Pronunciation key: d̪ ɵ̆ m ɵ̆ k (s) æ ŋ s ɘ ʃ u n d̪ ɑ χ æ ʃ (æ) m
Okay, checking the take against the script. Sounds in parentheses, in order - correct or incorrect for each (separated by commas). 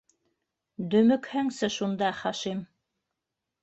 incorrect, incorrect